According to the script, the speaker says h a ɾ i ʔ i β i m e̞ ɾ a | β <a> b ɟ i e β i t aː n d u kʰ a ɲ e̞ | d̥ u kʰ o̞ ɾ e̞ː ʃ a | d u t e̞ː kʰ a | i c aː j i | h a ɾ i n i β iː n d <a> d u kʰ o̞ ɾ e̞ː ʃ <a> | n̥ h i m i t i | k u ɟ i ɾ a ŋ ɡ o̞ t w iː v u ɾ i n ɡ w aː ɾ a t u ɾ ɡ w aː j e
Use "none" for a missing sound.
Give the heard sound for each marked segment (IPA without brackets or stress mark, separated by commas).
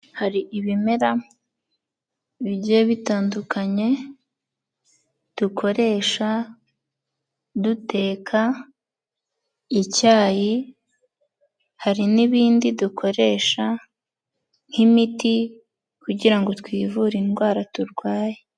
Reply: i, i, a